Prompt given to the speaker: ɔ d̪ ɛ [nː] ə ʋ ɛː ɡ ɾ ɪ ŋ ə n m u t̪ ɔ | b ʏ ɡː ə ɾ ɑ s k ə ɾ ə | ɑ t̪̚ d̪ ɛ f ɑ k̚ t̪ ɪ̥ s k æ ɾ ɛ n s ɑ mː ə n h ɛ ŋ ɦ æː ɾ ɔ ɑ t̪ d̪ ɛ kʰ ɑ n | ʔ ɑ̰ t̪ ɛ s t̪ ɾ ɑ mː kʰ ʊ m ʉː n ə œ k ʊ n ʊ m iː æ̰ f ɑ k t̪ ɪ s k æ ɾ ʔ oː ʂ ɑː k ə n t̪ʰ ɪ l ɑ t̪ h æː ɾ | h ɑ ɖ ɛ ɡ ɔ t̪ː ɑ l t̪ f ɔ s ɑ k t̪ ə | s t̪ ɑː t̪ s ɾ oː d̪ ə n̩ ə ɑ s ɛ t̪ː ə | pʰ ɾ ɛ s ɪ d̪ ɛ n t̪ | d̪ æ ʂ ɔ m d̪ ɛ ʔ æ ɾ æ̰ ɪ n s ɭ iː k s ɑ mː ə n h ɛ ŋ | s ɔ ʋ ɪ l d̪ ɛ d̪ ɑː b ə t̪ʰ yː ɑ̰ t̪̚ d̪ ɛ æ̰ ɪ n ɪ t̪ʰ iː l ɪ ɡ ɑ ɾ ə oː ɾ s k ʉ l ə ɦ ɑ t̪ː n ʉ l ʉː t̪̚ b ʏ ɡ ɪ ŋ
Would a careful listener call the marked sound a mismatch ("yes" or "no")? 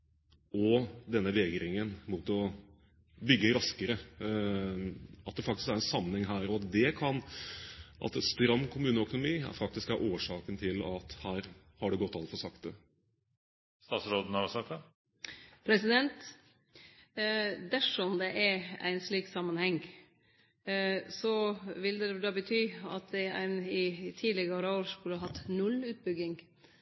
no